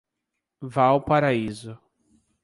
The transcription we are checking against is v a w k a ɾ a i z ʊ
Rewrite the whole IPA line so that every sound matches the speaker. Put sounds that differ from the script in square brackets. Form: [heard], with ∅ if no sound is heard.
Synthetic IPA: v a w [p] a ɾ a i z ʊ